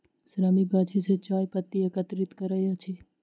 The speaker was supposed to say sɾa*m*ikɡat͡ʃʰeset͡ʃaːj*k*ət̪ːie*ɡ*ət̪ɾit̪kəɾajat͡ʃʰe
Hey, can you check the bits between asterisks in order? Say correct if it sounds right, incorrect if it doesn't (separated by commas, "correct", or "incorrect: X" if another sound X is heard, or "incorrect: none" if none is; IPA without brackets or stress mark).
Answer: correct, incorrect: p, incorrect: k